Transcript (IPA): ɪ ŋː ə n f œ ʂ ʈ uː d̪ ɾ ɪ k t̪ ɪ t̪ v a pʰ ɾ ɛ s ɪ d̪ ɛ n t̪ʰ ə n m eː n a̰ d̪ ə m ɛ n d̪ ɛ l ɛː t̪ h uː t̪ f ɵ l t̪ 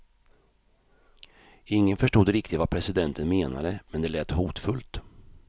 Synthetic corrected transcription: ɪ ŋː ə n f œ ʂ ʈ uː d̪ ɾ ɪ k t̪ ɪ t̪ v a pʰ ɾ ɛ s ɪ d̪ ɛ n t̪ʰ ə n m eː n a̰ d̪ ə m ɛ n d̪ ɛ l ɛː t̪ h uː t̪ f ɵ l t̪